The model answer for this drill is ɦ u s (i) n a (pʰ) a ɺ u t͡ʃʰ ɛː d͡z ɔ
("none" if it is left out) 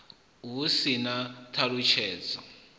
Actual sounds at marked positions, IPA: i, tʰ

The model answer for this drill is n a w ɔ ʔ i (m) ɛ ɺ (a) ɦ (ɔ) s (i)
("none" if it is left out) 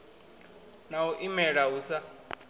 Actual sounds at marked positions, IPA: m, a, u, a

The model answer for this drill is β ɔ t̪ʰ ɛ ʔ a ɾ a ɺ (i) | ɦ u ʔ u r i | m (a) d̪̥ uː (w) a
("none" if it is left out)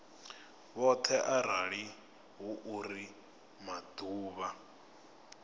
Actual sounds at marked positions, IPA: i, a, β

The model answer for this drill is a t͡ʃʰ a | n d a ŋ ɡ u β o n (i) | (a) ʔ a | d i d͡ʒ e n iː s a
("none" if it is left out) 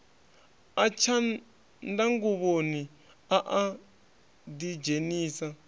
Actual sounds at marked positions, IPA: i, a

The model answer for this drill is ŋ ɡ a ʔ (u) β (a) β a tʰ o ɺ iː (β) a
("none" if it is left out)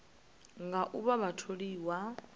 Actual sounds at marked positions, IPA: u, a, w

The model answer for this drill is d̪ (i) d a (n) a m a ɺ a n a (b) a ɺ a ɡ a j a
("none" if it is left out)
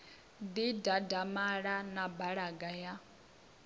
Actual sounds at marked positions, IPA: i, d, b

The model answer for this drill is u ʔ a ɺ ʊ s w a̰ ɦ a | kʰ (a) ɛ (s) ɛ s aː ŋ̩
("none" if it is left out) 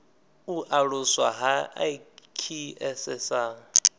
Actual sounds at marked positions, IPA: i, s

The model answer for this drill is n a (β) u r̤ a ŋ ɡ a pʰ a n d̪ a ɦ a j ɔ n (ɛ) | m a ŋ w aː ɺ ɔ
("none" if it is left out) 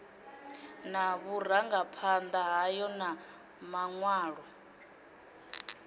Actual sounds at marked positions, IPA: β, a

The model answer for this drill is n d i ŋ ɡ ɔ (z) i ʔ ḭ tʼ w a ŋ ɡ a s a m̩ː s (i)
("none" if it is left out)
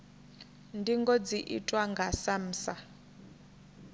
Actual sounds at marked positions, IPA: d͡z, a

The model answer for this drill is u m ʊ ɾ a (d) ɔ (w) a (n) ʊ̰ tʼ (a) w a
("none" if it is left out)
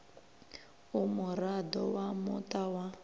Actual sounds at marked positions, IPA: d, w, m, a

